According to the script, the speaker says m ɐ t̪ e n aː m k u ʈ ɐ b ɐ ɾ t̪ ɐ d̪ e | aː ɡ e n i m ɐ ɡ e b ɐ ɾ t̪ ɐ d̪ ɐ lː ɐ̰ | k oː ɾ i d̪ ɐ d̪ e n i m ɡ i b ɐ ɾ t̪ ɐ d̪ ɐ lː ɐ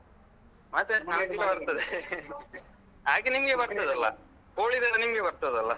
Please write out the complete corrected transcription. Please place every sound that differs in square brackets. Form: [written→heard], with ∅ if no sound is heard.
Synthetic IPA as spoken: m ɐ t̪ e n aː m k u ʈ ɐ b ɐ ɾ t̪ ɐ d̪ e | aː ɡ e n i m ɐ ɡ e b ɐ ɾ t̪ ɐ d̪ ɐ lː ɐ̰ | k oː [ɾ→ɭ] i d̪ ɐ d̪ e n i m ɡ [i→e] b ɐ ɾ t̪ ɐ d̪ ɐ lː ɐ

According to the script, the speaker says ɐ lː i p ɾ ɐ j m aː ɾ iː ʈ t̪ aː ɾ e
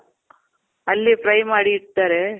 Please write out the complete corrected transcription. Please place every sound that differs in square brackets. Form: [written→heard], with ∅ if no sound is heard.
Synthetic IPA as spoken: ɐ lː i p ɾ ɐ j m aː [ɾ→ɽ] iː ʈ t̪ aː ɾ e

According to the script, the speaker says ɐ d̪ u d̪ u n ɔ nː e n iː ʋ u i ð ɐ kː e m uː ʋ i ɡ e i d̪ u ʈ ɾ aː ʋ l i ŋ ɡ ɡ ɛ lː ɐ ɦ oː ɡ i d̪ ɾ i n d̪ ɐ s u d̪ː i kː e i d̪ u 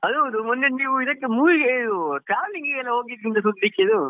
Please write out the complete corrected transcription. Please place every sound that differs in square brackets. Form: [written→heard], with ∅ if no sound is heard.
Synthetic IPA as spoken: ɐ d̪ u d̪ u [n→m] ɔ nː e n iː ʋ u i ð ɐ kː e m uː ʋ i ɡ e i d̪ u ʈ ɾ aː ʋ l i ŋ ɡ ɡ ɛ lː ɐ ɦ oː ɡ i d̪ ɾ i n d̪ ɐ s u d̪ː i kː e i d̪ u

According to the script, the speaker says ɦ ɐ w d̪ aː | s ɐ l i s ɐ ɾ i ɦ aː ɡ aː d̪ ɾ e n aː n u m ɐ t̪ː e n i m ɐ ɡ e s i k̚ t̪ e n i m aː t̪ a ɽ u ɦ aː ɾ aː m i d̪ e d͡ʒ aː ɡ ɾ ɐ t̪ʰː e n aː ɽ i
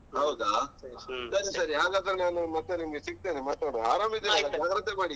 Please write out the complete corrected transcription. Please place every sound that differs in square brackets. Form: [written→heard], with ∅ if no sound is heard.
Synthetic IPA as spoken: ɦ ɐ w d̪ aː | s ɐ [l→ɾ] i s ɐ ɾ i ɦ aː ɡ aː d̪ ɾ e n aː n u m ɐ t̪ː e n i m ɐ ɡ e s i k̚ t̪ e n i m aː t̪ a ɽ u ɦ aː ɾ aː m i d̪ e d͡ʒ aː ɡ ɾ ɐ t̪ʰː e [n→m] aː ɽ i

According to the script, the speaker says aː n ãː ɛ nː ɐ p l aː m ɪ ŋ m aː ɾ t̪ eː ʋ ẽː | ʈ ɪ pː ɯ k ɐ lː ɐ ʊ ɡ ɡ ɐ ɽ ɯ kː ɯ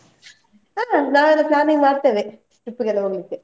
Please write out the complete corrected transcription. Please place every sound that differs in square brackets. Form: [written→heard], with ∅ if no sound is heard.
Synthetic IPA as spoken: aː n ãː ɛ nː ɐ p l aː [m→n] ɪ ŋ m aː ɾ t̪ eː ʋ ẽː | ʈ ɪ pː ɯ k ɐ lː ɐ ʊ [ɡ→ŋ] ɡ ɐ [ɽ→ɭ] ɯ kː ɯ

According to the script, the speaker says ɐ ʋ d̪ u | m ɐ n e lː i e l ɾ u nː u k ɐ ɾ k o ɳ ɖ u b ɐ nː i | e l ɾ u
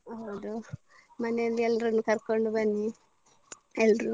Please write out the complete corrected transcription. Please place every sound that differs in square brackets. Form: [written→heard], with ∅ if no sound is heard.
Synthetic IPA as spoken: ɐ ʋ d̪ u | m ɐ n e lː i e l ɾ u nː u k ɐ ɾ k o ɳ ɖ u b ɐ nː i | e l ɾ u

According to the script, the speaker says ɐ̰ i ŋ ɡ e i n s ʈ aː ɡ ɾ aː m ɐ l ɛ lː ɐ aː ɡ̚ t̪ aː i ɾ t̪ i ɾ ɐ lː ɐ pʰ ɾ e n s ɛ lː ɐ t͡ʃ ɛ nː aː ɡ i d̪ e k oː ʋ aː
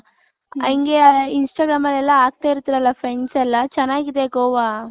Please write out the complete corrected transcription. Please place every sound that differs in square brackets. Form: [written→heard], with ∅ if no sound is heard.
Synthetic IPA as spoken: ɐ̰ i ŋ ɡ e i n s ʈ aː ɡ ɾ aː m ɐ l ɛ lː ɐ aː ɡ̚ t̪ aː i ɾ t̪ i ɾ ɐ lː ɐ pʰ ɾ e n s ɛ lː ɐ t͡ʃ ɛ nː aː ɡ i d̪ e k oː ʋ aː

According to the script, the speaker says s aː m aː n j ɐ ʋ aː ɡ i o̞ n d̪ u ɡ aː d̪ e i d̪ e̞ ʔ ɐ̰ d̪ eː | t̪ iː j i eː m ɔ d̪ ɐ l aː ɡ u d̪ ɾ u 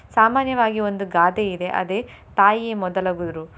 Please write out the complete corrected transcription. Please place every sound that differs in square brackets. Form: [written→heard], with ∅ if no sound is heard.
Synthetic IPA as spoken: s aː m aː n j ɐ ʋ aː ɡ i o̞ n d̪ u ɡ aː d̪ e i d̪ e̞ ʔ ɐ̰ d̪ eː | t̪ [iː→aː] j i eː m ɔ d̪ ɐ l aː ɡ u d̪ ɾ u

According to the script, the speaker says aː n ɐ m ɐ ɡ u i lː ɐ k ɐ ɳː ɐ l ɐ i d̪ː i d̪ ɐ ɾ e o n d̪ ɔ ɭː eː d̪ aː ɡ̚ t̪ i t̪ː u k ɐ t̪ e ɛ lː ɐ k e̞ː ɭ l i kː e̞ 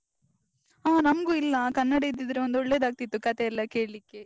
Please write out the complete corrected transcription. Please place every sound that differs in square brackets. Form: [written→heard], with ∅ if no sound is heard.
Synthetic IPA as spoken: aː n ɐ m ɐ ɡ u i lː ɐ k ɐ [ɳː→nː] ɐ [l→ɽ] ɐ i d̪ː i d̪ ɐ ɾ e o n d̪ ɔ ɭː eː d̪ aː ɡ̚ t̪ i t̪ː u k ɐ t̪ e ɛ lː ɐ k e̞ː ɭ l i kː e̞

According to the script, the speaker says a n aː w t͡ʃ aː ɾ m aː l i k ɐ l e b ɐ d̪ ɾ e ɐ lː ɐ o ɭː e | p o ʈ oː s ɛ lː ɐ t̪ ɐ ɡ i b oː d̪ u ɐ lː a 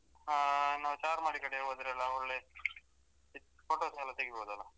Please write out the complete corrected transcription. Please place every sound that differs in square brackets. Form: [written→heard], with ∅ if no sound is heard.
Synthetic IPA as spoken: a n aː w t͡ʃ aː ɾ m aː [l→ɽ] i k ɐ [l→ɽ] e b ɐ d̪ ɾ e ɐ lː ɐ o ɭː e | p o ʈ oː s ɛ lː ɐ t̪ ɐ ɡ i b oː d̪ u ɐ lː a

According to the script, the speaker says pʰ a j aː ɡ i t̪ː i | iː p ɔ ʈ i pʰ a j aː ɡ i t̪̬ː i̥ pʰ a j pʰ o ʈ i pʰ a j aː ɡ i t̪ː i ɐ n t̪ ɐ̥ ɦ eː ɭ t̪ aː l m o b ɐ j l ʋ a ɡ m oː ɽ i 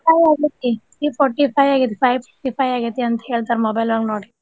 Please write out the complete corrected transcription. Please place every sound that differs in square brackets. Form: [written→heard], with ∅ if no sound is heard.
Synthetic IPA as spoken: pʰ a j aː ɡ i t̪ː i | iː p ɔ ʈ i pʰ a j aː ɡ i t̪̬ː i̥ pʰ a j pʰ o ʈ i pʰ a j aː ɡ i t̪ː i ɐ n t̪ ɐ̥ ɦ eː ɭ t̪ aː [l→ɾ] m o b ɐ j l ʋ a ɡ [m→n] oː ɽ i

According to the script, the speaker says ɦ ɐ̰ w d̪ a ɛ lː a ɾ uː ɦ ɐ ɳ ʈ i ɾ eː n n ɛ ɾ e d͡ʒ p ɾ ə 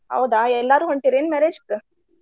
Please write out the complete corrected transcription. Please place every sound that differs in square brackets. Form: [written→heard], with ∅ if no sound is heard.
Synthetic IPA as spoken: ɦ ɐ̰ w d̪ a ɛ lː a ɾ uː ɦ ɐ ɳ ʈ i ɾ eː n [n→m] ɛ ɾ e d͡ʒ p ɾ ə

